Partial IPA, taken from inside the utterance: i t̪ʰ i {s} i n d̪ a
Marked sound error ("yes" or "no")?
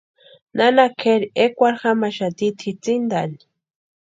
yes